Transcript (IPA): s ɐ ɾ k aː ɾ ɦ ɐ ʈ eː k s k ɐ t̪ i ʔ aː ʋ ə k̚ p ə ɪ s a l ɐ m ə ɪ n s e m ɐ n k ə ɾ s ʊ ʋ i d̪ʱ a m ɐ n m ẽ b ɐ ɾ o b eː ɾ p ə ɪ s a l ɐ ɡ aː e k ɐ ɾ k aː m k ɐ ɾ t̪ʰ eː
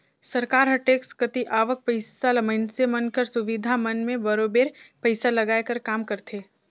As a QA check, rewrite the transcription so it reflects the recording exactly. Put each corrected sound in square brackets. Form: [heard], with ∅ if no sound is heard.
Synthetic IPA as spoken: s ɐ ɾ k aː ɾ ɦ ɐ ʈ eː k s k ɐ t̪ i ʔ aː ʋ ə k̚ p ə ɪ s a l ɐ m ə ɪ n s e m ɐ n k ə ɾ s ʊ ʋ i d̪ʱ a m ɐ n m ẽ b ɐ ɾ o b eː ɾ p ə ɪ s a l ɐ ɡ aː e k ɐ ɾ k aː m k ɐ ɾ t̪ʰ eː

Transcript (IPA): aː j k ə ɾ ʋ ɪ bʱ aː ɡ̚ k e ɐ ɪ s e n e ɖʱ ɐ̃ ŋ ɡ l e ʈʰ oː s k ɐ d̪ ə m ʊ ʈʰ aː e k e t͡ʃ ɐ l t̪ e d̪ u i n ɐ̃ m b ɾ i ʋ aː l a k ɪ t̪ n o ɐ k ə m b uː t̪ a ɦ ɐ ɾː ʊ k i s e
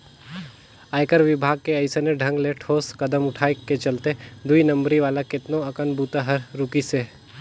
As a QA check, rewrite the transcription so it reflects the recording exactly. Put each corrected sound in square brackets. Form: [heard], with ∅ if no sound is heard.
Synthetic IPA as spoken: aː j k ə ɾ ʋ ɪ bʱ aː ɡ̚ k e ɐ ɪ s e n e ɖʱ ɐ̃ ŋ ɡ l e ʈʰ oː s k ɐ d̪ ə m ʊ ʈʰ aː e k e t͡ʃ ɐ l t̪ e d̪ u i n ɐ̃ m b ɾ i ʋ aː l a k ɪ t̪ n o ɐ k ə [n] b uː t̪ a ɦ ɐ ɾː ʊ k i s e

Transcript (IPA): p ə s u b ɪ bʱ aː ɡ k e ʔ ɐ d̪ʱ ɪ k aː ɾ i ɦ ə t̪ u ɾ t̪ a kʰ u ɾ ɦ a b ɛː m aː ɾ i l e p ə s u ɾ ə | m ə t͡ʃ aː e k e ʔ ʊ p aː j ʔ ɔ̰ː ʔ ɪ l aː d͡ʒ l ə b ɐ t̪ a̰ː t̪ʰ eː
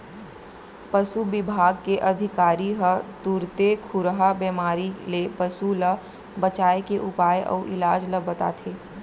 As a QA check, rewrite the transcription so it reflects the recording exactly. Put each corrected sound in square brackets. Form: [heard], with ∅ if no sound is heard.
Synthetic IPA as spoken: p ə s u b ɪ bʱ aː ɡ k e ʔ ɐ d̪ʱ ɪ k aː ɾ i ɦ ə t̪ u ɾ t̪ [e] kʰ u ɾ ɦ a b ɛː m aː ɾ i l e p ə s u [l] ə | [b] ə t͡ʃ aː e k e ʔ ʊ p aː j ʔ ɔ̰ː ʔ ɪ l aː d͡ʒ l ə b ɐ t̪ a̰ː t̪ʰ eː

